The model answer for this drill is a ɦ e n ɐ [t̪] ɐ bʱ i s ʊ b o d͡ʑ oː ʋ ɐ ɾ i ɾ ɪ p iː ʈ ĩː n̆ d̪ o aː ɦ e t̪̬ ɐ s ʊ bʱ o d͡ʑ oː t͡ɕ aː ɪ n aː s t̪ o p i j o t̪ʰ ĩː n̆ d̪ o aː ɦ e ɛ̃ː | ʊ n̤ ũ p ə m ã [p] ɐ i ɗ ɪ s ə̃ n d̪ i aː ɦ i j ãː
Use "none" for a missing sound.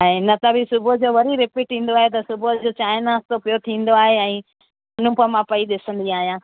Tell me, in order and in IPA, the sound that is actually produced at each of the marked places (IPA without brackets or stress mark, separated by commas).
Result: t̪, p